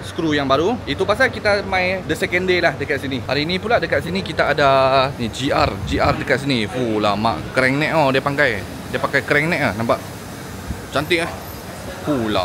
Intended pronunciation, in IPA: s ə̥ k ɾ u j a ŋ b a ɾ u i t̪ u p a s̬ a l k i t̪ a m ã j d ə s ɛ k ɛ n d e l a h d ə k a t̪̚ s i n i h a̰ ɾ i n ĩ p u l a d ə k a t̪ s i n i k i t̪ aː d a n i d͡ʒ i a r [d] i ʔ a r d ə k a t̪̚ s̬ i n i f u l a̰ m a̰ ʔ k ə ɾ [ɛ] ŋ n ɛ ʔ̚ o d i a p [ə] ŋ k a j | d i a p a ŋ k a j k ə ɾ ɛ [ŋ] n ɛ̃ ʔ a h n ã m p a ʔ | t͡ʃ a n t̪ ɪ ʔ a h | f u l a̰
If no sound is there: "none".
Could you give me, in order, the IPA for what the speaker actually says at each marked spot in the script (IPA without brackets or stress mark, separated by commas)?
d͡ʒ, ɛ, a, ŋ